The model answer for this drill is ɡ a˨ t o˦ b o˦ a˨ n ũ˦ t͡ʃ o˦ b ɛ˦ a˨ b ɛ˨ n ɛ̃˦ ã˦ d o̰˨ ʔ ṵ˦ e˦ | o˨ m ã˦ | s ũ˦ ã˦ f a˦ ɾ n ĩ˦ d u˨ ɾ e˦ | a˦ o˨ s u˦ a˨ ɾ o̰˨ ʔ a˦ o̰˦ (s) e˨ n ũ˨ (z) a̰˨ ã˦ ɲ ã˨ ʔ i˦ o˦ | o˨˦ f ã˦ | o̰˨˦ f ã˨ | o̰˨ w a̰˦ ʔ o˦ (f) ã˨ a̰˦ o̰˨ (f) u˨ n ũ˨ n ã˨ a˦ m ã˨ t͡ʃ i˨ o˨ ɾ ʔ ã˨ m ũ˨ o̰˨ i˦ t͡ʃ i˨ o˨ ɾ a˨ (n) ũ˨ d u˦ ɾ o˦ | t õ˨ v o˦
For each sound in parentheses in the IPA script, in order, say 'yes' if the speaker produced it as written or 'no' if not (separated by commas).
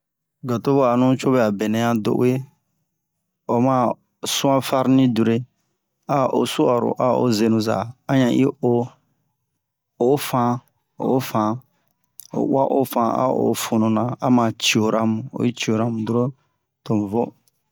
no, yes, yes, yes, no